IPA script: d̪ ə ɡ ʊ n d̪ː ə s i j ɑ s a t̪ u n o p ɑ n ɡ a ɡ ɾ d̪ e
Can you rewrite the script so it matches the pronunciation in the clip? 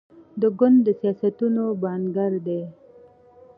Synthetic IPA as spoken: d̪ ə ɡ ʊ n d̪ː ə s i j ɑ s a t̪ u n o b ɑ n ɡ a ɾ d̪ e